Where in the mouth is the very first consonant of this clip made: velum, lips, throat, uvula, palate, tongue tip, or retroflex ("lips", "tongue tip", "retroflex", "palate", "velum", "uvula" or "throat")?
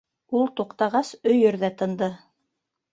tongue tip